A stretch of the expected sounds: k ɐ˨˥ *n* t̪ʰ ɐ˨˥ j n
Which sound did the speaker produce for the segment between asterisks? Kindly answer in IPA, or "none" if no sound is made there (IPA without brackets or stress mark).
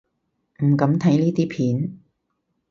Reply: m